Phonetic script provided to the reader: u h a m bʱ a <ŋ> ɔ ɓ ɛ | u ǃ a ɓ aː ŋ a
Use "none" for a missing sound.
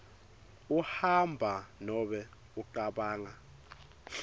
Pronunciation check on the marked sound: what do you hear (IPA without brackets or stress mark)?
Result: n